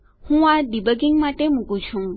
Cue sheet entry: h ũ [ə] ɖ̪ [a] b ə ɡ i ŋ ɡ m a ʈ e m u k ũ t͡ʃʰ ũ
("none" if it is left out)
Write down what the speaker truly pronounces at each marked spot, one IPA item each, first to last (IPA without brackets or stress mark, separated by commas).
a, i